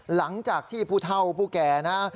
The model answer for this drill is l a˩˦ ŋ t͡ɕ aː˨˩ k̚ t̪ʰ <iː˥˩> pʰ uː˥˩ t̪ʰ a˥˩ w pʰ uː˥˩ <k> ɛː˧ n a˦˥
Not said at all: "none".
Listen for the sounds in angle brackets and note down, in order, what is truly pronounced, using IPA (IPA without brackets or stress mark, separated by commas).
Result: iː˥˩, k